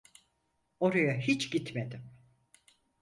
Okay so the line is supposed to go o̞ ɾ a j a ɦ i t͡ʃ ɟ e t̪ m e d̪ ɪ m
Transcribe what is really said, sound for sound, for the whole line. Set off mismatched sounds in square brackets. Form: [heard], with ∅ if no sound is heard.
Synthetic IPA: o̞ ɾ a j a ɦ i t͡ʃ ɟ [i] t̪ m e d̪ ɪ m